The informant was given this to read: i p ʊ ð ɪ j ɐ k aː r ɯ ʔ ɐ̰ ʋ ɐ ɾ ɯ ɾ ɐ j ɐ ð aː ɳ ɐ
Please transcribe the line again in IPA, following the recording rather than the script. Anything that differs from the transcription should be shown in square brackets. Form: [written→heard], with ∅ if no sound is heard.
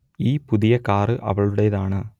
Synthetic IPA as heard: [i→iː] p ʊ ð ɪ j ɐ k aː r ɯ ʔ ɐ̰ ʋ ɐ [ɾ→ɭ] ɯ [ɾ→ɽ] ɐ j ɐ ð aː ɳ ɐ